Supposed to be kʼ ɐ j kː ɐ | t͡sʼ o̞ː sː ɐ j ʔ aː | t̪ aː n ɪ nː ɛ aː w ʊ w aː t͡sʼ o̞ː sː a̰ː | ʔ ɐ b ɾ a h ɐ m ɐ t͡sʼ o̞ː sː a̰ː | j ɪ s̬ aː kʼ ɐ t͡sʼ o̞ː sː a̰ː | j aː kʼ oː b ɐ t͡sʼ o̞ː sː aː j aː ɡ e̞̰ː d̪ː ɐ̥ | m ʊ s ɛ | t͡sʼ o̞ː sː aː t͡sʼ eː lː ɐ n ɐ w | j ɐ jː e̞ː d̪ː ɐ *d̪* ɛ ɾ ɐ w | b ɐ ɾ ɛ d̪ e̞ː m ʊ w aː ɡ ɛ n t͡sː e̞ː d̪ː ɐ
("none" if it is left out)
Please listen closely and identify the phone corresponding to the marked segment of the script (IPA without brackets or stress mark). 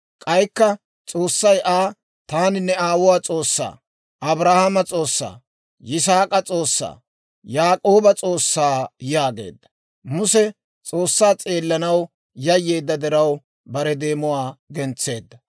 d̪